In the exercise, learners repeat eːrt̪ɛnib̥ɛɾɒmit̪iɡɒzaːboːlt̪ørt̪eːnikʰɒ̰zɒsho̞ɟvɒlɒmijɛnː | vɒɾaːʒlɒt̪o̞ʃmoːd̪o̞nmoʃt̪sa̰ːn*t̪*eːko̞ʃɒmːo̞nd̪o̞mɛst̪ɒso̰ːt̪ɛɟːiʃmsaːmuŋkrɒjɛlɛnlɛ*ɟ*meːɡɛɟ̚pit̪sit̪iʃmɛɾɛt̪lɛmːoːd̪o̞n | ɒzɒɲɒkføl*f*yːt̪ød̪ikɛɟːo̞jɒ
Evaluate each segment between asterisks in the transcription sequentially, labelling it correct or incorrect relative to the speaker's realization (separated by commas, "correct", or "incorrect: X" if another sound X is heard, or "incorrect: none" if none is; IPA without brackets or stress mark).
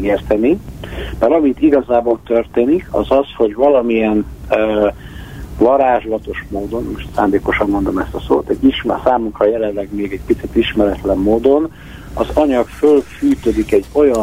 incorrect: d̪, incorrect: ɡ, correct